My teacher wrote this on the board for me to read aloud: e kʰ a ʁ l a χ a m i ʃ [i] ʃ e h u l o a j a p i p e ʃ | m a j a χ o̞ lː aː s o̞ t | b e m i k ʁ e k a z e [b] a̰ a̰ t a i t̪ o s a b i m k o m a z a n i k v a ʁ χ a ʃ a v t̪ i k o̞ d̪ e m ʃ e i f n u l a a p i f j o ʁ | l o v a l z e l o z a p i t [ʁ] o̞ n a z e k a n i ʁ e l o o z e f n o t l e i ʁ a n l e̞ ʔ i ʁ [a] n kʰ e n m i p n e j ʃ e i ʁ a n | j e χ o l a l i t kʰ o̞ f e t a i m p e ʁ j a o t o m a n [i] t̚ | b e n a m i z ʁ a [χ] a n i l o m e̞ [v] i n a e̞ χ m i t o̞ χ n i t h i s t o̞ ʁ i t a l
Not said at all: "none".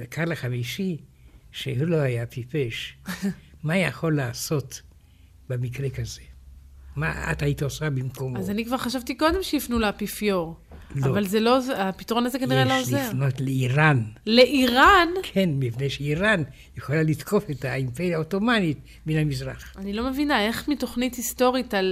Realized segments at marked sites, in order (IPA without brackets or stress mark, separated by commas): i, m, ʁ, a, i, χ, v